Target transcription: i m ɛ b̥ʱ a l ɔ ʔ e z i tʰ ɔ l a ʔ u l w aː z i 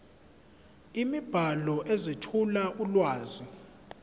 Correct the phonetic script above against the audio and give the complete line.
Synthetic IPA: i m i b̥ʱ a l ɔ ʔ e z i tʰ u l a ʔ u l w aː z i